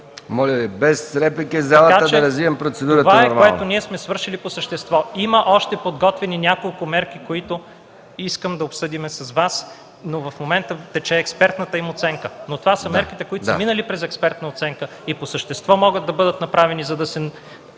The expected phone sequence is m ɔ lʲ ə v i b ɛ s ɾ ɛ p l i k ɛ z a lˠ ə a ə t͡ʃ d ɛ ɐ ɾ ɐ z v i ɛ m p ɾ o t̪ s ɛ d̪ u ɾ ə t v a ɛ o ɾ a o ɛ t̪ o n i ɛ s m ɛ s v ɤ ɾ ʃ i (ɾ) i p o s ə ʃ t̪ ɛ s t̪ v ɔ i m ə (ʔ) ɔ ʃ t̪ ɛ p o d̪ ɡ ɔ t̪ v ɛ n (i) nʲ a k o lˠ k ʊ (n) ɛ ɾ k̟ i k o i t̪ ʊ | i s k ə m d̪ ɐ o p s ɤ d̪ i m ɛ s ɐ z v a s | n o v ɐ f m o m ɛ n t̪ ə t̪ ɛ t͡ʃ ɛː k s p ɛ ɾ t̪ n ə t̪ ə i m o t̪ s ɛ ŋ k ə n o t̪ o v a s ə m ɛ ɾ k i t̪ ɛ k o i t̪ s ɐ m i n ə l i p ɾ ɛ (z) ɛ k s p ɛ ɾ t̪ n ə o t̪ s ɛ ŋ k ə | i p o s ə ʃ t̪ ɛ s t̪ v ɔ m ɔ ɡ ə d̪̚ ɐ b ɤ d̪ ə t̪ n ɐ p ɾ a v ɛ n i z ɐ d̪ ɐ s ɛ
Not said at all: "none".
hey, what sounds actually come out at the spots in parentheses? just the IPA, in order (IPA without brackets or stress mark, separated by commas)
l, ʔ, i, m, z